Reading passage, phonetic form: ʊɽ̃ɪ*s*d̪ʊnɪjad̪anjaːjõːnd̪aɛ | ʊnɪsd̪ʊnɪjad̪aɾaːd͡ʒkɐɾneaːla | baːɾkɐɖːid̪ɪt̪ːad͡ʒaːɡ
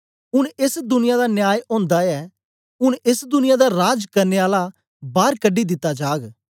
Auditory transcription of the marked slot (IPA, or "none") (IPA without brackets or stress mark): s